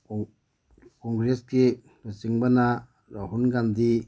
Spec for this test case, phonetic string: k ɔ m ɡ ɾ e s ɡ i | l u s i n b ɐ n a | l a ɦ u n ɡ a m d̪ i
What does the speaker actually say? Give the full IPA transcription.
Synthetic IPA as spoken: k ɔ ŋ ɡ ɾ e s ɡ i | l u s i ŋ b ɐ n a | ɾ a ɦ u n ɡ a n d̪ i